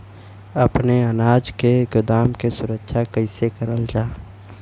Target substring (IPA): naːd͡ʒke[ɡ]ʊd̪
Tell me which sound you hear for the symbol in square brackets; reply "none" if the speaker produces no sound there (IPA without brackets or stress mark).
ɡ